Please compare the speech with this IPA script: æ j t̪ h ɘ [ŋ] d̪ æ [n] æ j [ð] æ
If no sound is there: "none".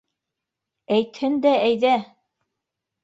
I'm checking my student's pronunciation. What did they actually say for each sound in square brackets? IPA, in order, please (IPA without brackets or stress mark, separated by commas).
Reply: n, none, ð